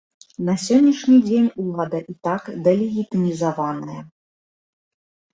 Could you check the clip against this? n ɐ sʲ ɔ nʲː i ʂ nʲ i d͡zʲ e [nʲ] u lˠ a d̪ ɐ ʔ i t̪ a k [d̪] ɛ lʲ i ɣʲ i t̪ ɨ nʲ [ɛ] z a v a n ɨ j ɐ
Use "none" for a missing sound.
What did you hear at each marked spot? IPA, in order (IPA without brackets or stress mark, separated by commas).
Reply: nʲ, d̪, i